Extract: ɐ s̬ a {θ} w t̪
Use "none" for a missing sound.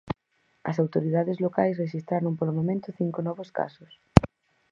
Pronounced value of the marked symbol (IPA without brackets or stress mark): none